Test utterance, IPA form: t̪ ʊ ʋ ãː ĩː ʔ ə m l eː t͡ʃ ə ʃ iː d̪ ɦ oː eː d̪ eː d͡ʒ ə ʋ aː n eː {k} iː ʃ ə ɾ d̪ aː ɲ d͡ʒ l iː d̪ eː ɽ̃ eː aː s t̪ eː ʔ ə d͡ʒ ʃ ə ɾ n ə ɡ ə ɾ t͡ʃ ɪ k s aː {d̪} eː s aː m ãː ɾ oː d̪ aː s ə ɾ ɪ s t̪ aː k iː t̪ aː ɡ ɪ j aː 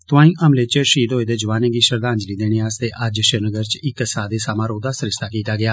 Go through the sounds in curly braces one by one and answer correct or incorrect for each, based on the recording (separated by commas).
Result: incorrect, correct